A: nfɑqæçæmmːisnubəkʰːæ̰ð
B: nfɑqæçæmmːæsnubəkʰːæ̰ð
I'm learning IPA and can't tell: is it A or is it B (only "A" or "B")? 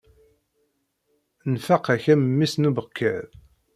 A